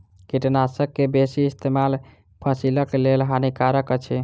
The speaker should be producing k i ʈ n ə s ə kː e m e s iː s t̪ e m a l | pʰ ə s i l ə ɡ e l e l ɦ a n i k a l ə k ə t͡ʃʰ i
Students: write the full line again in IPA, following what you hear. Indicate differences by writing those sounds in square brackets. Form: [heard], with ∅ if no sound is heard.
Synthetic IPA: k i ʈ n [a] s ə kː e [b] e s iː s t̪ e m a l | pʰ ə s i l ə [k] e l e l ɦ a n i k a [ɾ] ə k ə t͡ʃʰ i